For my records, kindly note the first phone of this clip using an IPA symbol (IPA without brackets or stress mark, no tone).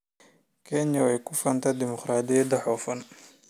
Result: kʰ